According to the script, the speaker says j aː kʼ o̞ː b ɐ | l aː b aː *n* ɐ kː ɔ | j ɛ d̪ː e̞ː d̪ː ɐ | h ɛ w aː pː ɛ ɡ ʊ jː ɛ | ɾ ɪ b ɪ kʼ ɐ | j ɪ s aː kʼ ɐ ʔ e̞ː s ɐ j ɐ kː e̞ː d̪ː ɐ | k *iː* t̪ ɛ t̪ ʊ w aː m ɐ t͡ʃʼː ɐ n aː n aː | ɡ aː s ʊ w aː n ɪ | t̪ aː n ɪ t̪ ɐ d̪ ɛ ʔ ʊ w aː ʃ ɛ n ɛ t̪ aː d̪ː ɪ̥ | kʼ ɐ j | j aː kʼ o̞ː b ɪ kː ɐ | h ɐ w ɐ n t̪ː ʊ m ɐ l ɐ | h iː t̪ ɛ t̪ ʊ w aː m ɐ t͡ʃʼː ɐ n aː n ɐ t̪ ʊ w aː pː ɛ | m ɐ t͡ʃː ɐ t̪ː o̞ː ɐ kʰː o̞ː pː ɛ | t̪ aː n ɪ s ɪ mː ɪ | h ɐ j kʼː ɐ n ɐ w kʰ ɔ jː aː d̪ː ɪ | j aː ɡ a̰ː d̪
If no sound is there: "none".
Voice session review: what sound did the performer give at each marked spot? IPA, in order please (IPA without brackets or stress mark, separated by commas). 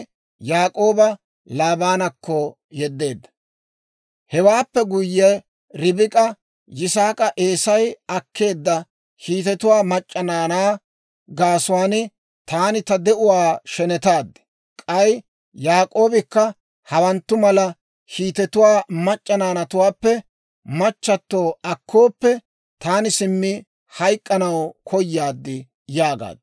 n, iː